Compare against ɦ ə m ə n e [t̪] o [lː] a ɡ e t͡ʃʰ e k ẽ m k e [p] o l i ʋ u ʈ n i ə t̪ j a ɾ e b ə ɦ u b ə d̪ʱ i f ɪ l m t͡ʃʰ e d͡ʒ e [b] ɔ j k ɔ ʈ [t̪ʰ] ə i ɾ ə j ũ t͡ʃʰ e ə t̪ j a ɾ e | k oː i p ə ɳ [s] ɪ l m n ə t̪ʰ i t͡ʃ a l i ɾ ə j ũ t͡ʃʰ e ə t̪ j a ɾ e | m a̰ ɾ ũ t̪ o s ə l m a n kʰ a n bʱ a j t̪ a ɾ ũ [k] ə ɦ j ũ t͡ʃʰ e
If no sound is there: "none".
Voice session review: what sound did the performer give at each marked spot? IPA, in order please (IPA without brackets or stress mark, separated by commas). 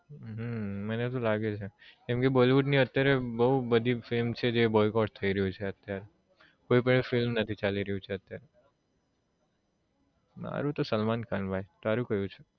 t̪, l, b, b, t̪ʰ, f, k